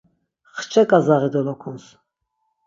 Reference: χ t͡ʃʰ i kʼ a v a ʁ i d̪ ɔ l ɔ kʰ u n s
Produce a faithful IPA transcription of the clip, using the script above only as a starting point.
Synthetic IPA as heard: χ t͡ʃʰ ɛ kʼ a z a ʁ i d̪ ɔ l ɔ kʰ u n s